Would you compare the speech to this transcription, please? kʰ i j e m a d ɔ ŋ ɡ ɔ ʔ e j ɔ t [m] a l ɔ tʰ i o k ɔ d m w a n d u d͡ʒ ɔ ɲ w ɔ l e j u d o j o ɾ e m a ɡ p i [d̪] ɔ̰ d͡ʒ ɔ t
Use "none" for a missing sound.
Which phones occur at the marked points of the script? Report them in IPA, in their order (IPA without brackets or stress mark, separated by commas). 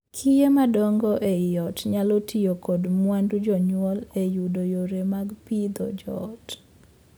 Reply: ɲ, d̪